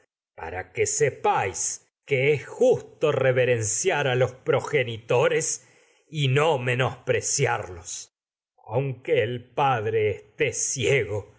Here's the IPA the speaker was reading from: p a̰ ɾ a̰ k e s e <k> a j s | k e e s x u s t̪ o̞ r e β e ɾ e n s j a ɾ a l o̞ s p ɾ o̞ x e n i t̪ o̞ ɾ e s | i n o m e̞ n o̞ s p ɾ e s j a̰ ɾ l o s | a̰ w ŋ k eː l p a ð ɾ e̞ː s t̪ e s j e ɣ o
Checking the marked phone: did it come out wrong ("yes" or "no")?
yes